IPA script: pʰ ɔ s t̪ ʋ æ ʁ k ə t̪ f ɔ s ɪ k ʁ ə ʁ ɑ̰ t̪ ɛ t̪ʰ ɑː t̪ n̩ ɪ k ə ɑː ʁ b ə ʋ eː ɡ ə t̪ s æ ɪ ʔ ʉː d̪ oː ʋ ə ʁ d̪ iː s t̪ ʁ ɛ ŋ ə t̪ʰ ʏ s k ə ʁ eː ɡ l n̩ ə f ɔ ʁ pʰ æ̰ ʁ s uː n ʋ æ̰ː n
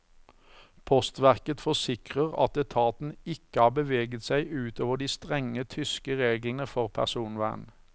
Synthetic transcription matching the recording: pʰ ɔ s t̪ ʋ æ ʁ k ə t̪ f ɔ s ɪ k ʁ ə ʁ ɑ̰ t̪ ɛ t̪ʰ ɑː t̪ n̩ ɪ k ə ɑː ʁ b ə ʋ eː ɡ ə t̪ s æ ɪ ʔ ʉː t̪ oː ʋ ə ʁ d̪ iː s t̪ ʁ ɛ ŋ ə t̪ʰ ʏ s k ə ʁ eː ɡ l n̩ ə f ɔ ʁ pʰ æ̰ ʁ s uː n ʋ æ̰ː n